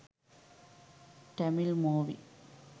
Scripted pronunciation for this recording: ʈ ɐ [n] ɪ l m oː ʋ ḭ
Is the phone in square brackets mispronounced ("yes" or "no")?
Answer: yes